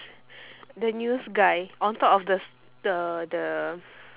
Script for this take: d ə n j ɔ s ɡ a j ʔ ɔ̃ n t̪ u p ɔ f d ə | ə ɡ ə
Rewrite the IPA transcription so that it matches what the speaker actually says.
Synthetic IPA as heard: d ə n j u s ɡ a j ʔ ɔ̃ n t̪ ɔ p ɔ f d ə | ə d ə